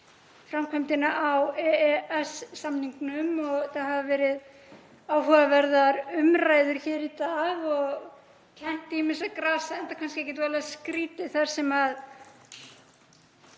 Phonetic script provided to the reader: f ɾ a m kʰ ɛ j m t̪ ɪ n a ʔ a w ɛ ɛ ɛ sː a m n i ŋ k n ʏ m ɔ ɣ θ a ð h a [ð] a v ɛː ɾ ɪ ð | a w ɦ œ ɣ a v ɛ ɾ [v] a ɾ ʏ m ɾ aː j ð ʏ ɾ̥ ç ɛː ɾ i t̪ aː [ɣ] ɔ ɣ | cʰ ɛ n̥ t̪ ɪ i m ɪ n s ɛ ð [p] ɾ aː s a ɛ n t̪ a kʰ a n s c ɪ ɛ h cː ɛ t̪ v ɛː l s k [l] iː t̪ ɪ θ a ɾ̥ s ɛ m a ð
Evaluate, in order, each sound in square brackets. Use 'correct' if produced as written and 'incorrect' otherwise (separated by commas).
incorrect, incorrect, correct, incorrect, incorrect